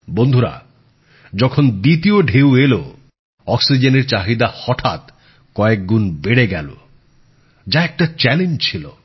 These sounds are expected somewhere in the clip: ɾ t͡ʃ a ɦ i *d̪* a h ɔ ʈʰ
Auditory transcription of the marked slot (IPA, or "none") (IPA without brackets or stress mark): d̪